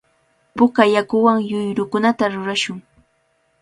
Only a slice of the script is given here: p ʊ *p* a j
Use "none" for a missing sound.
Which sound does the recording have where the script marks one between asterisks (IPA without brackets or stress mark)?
k